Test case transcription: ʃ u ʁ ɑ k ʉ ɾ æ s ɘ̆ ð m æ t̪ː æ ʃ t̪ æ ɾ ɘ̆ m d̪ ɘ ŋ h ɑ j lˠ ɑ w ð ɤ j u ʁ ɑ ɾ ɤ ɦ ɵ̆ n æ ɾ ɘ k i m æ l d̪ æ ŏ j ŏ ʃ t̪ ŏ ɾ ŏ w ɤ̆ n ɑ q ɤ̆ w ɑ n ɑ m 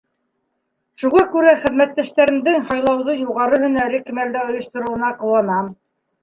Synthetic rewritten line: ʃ u ʁ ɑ k ʉ ɾ æ χ ɘ̆ ð m æ t̪ː æ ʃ t̪ æ ɾ ɘ̆ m d̪ ɘ ŋ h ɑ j lˠ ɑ w ð ɤ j u ʁ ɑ ɾ ɤ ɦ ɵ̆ n æ ɾ ɘ k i m æ l d̪ æ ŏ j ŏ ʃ t̪ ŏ ɾ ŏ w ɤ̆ n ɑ q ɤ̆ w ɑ n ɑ m

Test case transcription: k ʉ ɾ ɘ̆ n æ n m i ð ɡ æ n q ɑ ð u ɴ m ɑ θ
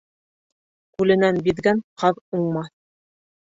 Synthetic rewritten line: k ʉ l ɘ̆ n æ n b i ð ɡ æ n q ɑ ð u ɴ m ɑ θ

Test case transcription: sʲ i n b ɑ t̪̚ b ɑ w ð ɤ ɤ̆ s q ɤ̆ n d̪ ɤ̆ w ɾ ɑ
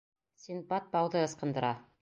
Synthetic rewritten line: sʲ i n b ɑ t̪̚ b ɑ w ð ɤ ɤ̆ s q ɤ̆ n d̪ ɤ̆ ɾ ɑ

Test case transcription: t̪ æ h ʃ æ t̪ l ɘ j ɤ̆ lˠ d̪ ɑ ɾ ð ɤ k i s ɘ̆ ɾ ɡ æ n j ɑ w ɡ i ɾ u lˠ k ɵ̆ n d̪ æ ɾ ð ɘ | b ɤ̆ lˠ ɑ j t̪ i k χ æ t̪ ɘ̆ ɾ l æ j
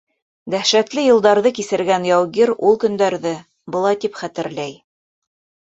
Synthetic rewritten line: d̪ æ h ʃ æ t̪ l ɘ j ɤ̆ lˠ d̪ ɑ ɾ ð ɤ k i s ɘ̆ ɾ ɡ æ n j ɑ w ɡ i ɾ u lˠ k ɵ̆ n d̪ æ ɾ ð ɘ | b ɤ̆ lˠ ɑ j t̪ i p χ æ t̪ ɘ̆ ɾ l æ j

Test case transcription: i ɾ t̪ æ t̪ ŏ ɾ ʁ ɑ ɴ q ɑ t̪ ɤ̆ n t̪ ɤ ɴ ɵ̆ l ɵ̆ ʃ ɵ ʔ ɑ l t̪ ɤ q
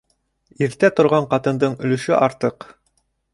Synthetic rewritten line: i ɾ t̪ æ t̪ ŏ ɾ ʁ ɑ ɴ q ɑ t̪ ɤ̆ n d̪ ɤ ɴ ɵ̆ l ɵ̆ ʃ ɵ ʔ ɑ ɾ t̪ ɤ q

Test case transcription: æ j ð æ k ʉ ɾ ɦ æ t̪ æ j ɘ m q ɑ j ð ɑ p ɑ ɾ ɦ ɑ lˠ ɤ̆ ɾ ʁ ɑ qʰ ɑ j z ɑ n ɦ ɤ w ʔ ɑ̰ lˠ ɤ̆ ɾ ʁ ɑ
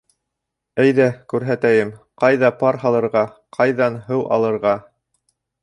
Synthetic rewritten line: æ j ð æ k ʉ ɾ ɦ æ t̪ æ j ɘ m q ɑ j ð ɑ p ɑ ɾ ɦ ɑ lˠ ɤ̆ ɾ ʁ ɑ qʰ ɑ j ð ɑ n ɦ ɤ w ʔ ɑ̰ lˠ ɤ̆ ɾ ʁ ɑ

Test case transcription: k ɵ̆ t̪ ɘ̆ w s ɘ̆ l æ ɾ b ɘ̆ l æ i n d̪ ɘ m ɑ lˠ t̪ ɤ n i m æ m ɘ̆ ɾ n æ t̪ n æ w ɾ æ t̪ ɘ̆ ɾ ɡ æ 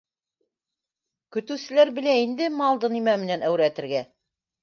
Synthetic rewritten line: k ɵ̆ t̪ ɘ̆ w s ɘ̆ l æ ɾ b ɘ̆ l æ i n d̪ ɘ m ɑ lˠ d̪ ɤ n i m æ m ɘ̆ n æ n æ w ɾ æ t̪ ɘ̆ ɾ ɡ æ

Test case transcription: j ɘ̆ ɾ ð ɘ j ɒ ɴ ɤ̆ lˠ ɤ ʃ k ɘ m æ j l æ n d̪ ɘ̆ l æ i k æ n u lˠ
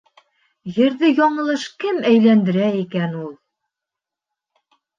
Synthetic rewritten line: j ɘ̆ ɾ ð ɘ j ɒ ɴ ɤ̆ lˠ ɤ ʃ k ɘ m æ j l æ n d̪ ɘ̆ ɾ æ i k æ n u lˠ

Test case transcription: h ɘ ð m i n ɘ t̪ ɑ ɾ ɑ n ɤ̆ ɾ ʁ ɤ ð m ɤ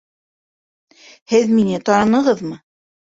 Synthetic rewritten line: h ɘ ð m i n ɘ t̪ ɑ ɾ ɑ n ɤ̆ ʁ ɤ ð m ɤ

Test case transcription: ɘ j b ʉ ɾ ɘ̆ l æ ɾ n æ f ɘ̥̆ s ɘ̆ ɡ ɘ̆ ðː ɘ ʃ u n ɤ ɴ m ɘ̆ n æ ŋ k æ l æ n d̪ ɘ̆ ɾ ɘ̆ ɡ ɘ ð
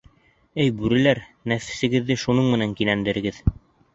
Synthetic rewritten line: ɘ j b ʉ ɾ ɘ̆ l æ ɾ n æ f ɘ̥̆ s ɘ̆ ɡ ɘ̆ ðː ɘ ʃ u n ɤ ɴ m ɘ̆ n æ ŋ k i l æ n d̪ ɘ̆ ɾ ɘ̆ ɡ ɘ ð

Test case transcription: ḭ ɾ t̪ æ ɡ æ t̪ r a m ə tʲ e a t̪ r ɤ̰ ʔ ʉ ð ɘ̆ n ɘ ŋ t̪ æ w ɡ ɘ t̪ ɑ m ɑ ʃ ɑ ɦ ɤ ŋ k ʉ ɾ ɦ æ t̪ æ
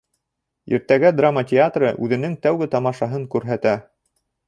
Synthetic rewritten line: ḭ ɾ t̪ æ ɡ æ d̪ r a m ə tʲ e a t̪ r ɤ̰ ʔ ʉ ð ɘ̆ n ɘ ŋ t̪ æ w ɡ ɘ t̪ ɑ m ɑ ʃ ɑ ɦ ɤ ŋ k ʉ ɾ ɦ æ t̪ æ

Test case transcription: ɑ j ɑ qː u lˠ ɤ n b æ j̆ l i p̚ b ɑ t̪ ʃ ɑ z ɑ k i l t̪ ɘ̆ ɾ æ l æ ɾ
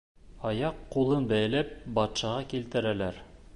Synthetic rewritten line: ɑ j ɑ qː u lˠ ɤ n b æ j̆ l æ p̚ b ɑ t̪ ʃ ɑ ʁ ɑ k i l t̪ ɘ̆ ɾ æ l æ ɾ

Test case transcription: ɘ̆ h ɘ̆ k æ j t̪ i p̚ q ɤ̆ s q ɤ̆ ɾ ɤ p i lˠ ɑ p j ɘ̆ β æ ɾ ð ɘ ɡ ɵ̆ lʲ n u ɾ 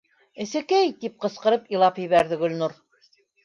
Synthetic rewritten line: ɘ̆ s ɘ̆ k æ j t̪ i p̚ q ɤ̆ s q ɤ̆ ɾ ɤ p i lˠ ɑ p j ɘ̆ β æ ɾ ð ɘ ɡ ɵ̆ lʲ n u ɾ

